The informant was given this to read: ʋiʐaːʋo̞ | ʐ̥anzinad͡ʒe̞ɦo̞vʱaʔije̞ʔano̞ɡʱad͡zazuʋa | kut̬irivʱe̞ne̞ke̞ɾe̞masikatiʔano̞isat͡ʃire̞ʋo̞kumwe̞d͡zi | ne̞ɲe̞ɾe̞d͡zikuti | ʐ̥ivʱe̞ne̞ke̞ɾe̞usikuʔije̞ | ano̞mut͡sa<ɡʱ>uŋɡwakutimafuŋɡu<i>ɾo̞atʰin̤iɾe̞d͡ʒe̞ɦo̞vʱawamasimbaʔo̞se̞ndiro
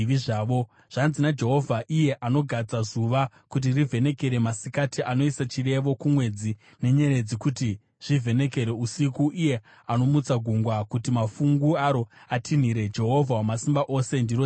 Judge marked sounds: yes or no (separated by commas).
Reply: yes, no